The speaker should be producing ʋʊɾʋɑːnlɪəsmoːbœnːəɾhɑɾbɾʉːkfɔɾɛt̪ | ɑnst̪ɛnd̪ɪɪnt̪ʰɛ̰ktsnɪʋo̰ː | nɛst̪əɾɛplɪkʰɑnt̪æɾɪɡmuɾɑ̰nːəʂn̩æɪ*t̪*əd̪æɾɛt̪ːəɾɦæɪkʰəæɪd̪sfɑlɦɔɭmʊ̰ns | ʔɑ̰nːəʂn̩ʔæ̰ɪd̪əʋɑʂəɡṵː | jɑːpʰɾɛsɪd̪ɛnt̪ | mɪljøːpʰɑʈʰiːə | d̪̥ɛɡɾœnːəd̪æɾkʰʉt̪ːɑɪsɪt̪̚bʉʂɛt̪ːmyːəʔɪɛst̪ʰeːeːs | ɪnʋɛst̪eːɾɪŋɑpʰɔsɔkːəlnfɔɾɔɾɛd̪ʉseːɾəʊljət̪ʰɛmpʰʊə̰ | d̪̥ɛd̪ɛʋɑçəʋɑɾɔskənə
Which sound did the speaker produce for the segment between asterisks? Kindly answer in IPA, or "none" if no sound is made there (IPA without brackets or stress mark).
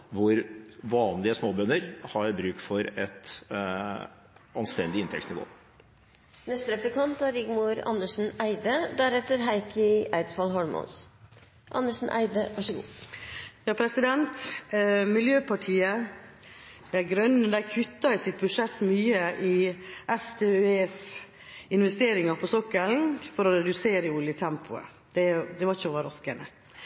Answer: d̪